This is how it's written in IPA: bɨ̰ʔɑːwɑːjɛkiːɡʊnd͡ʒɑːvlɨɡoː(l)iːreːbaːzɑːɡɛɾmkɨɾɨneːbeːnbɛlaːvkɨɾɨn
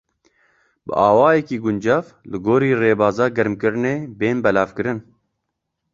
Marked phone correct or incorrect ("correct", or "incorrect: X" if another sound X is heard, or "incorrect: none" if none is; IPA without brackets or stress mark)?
incorrect: ɾ